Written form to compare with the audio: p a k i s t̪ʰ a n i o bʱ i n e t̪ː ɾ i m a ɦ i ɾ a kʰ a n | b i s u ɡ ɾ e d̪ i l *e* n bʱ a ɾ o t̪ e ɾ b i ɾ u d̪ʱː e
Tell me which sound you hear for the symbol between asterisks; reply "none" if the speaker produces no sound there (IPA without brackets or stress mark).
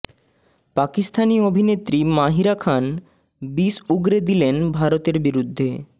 e